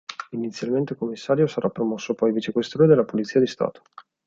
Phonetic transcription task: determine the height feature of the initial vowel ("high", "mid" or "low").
high